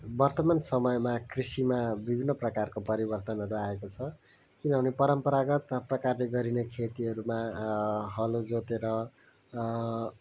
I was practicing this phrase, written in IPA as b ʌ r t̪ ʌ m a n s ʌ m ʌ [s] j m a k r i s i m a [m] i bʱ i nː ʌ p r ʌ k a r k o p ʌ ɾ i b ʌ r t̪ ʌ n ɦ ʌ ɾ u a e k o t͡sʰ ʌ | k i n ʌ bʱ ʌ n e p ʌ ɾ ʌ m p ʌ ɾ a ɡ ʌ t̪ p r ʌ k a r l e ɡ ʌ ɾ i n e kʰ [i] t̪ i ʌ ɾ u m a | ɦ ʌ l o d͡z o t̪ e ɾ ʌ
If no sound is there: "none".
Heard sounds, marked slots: none, b, e

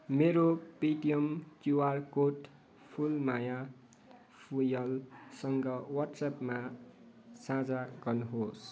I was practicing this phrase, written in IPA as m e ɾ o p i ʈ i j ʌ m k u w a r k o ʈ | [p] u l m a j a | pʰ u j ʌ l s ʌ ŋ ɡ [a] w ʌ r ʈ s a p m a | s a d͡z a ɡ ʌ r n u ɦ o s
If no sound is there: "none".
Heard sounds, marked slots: pʰ, ʌ

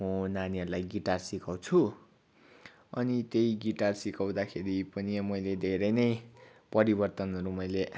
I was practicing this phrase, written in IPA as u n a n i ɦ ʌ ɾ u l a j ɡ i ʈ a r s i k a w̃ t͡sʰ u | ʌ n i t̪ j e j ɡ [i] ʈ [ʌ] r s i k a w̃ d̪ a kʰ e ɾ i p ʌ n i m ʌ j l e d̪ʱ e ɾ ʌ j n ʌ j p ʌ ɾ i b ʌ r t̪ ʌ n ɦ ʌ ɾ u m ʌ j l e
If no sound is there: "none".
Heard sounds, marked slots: i, a

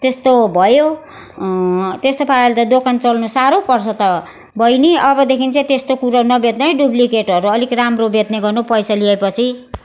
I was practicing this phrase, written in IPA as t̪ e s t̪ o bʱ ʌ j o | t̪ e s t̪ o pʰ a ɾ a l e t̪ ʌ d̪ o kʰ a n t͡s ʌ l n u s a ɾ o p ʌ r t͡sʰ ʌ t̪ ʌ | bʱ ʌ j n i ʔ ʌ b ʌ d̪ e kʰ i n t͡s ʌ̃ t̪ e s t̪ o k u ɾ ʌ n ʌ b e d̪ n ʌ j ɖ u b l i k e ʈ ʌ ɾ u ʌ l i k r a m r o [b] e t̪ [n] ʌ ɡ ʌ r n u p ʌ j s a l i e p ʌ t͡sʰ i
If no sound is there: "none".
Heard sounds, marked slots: b, n

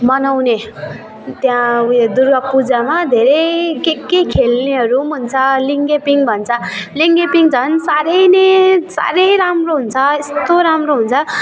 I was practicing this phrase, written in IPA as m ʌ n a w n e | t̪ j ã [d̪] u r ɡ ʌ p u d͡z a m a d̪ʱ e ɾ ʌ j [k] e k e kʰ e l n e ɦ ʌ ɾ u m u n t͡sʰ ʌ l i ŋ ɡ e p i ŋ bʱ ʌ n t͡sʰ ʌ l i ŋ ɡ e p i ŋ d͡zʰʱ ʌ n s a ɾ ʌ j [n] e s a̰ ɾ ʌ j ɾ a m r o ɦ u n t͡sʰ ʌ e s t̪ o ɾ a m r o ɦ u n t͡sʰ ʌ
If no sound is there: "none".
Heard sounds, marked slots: d̪, k, n

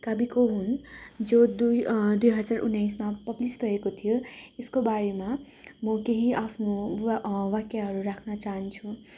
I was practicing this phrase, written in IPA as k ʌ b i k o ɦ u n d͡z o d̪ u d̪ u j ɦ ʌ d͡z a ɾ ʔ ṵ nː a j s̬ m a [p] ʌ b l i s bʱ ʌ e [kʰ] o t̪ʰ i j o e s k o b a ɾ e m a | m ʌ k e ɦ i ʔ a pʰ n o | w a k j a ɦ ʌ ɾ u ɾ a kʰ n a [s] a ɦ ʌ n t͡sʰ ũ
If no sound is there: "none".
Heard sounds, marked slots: p, k, t͡s

